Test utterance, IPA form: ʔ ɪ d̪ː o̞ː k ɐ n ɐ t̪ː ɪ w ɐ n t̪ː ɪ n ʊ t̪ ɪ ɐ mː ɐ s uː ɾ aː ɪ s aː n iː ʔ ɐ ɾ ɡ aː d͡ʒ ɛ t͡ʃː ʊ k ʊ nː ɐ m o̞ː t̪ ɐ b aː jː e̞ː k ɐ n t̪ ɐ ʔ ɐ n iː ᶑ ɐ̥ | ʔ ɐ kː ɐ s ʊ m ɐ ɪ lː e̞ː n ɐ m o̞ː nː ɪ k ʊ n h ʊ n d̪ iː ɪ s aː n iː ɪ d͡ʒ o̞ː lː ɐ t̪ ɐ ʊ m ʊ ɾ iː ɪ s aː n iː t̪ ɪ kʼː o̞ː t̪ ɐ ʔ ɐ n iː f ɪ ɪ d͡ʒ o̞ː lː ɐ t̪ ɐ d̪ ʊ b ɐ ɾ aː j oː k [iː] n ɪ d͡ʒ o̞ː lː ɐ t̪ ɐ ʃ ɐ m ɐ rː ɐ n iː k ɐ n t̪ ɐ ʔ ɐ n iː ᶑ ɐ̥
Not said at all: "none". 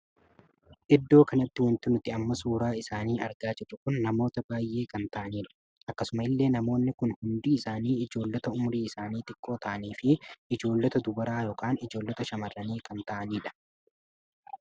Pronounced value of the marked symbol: aː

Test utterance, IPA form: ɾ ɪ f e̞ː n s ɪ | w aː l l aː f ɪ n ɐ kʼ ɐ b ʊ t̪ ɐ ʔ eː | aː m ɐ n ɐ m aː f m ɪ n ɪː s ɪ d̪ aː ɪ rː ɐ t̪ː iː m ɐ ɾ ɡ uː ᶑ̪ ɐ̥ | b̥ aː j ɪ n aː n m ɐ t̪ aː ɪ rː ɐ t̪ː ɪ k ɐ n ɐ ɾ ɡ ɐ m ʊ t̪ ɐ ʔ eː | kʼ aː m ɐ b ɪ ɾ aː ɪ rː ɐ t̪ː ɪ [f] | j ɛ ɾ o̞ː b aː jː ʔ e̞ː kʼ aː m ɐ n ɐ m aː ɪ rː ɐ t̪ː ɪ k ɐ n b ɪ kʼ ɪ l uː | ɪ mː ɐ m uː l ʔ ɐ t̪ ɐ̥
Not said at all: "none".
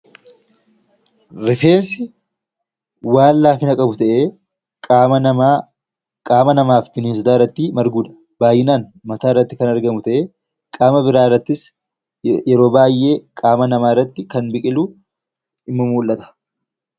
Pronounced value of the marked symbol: s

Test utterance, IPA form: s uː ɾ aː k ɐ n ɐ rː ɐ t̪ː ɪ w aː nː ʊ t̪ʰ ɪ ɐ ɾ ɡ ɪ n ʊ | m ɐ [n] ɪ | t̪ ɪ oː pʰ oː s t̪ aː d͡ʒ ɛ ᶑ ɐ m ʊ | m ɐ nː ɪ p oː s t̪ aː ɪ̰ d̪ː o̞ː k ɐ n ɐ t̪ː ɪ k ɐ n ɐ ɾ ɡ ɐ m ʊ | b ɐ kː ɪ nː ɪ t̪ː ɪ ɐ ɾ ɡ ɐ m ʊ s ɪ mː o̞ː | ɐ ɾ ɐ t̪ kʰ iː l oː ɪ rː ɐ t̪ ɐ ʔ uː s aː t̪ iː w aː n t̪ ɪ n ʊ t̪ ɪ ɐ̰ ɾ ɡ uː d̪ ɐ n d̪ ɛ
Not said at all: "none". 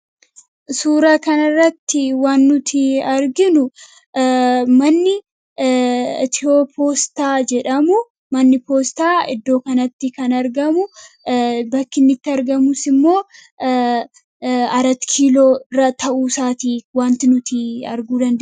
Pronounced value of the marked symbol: nː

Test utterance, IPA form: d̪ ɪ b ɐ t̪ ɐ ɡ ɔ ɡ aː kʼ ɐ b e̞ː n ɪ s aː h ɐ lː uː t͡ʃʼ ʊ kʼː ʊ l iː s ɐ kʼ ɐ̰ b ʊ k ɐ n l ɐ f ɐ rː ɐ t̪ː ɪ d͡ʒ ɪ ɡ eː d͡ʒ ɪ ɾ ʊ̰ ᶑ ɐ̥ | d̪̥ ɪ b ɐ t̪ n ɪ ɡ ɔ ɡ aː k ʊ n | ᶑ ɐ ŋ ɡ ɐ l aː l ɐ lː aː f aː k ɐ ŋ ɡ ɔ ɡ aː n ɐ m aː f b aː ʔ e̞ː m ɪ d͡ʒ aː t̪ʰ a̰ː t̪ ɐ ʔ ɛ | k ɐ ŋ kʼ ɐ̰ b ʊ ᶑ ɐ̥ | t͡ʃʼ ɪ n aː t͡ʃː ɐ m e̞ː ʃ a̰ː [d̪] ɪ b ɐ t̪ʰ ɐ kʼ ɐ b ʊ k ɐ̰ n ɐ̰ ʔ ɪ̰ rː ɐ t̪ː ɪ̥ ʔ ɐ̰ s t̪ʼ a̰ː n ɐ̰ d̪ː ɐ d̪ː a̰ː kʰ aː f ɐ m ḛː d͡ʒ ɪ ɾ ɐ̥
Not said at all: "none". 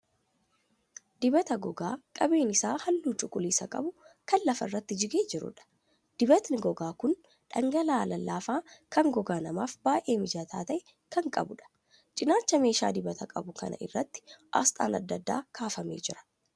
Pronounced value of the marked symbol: d̪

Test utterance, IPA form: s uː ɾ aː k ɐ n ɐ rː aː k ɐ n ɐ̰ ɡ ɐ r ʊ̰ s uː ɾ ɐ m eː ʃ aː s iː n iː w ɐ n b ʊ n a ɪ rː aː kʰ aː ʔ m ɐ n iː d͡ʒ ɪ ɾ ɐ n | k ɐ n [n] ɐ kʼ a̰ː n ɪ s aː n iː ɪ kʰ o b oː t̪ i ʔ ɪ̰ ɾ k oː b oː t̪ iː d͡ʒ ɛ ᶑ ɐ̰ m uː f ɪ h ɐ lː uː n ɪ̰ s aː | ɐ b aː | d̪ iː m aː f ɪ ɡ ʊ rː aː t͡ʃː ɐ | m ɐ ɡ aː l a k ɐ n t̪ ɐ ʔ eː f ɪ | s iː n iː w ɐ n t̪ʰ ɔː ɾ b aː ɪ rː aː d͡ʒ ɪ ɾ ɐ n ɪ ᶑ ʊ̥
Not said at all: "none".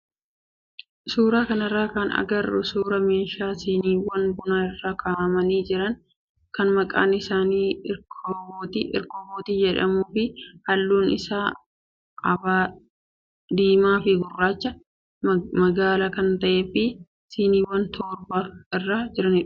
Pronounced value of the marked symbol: m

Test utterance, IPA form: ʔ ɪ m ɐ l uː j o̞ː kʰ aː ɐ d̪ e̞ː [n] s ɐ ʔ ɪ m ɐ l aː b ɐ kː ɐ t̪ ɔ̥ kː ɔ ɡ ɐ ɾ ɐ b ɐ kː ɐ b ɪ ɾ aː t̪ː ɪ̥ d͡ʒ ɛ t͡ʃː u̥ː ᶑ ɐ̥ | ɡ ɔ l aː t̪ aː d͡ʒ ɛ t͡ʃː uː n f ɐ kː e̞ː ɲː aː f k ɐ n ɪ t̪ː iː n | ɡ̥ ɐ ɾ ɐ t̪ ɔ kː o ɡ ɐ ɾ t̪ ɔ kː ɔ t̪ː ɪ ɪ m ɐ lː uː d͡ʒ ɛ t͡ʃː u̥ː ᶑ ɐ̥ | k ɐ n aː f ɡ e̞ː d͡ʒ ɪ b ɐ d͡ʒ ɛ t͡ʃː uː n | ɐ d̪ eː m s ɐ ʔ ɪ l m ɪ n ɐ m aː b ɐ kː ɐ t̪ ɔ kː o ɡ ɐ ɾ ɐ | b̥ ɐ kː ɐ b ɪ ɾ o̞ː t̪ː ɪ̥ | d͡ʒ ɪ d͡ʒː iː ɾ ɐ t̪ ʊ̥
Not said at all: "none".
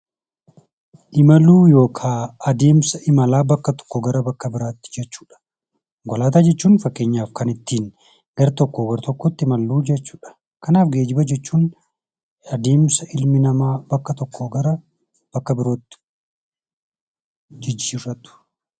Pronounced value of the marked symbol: m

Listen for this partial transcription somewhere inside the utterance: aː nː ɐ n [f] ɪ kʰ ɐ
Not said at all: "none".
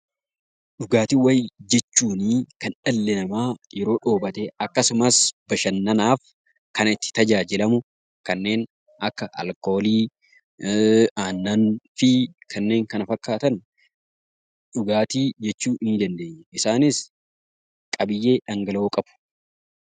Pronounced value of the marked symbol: f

